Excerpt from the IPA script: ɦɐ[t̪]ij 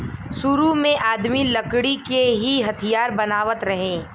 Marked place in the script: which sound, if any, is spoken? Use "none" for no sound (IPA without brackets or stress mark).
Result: t̪ʰ